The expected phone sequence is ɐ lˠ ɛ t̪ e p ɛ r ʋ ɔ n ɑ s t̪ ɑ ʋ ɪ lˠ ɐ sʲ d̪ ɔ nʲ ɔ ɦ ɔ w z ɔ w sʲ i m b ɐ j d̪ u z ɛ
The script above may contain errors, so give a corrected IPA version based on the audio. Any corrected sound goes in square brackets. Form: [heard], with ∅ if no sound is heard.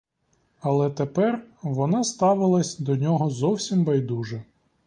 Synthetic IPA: ɐ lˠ ɛ t̪ e p ɛ r ʋ ɔ n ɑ s t̪ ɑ ʋ ɪ lˠ ɐ sʲ d̪ ɔ nʲ ɔ ɦ ɔ [∅] z ɔ w sʲ i m b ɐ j d̪ u [ʒ] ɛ